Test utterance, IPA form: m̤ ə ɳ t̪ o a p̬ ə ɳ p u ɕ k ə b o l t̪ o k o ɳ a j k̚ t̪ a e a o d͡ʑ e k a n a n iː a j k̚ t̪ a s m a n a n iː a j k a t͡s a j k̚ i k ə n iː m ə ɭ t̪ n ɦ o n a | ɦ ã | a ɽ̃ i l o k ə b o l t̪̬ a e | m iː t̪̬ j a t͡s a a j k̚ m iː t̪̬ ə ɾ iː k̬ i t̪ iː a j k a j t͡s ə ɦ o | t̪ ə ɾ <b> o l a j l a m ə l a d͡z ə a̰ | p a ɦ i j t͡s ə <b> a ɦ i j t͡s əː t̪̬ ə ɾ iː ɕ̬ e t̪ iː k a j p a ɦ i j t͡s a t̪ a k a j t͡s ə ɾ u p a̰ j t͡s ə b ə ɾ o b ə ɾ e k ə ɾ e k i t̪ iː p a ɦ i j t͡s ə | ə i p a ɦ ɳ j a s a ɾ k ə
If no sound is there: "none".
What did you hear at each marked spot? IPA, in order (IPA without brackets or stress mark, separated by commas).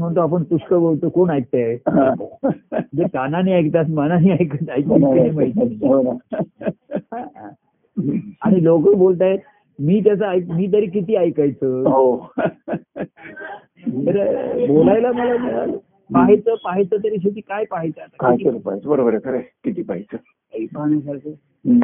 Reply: b, p